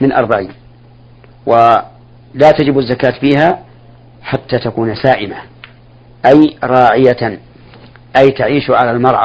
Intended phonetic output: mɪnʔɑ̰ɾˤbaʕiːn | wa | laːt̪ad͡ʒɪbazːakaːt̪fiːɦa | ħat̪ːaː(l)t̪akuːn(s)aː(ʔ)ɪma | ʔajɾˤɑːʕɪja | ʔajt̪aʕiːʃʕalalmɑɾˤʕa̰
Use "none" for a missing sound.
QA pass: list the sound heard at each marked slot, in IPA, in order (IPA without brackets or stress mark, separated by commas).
none, s, ʔ